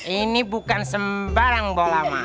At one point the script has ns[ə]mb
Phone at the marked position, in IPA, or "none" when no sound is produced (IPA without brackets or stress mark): ə